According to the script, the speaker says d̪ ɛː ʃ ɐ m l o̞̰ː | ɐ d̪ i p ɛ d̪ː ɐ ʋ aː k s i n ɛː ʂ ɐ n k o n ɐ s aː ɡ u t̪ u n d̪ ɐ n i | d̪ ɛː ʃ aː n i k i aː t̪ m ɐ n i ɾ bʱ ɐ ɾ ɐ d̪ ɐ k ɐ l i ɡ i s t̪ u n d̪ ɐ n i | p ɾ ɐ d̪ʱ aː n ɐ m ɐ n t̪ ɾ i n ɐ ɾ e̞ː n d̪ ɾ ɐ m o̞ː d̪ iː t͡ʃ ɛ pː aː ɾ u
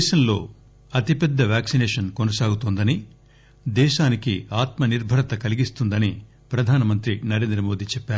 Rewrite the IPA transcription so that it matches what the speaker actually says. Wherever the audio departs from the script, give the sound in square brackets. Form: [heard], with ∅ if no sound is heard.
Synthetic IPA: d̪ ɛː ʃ ɐ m l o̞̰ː | ɐ [t̪] i p ɛ d̪ː ɐ ʋ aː k s i n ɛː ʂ ɐ n k o n ɐ s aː ɡ u t̪ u n d̪ ɐ n i | d̪ ɛː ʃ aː n i k i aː t̪ m ɐ n i ɾ bʱ ɐ ɾ ɐ [t̪] ɐ k ɐ l i ɡ i s t̪ u n d̪ ɐ n i | p ɾ ɐ d̪ʱ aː n ɐ m ɐ n t̪ ɾ i n ɐ ɾ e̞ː n d̪ ɾ ɐ m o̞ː d̪ iː t͡ʃ ɛ pː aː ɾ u